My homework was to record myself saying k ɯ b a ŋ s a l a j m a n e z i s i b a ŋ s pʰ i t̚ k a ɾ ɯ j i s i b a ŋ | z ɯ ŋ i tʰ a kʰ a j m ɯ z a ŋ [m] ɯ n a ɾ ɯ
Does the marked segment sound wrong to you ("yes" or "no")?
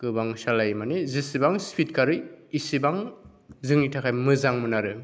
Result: no